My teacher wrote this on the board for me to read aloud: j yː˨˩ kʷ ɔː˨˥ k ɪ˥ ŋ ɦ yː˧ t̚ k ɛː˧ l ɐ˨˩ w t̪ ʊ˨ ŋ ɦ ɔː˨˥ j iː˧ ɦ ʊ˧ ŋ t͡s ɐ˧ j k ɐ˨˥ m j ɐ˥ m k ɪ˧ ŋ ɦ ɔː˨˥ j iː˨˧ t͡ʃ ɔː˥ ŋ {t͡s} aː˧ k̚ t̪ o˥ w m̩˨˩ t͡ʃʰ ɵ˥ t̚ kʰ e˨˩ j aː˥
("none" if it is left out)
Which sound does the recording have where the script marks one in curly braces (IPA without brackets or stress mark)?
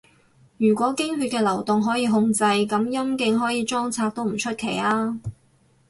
t͡sʰ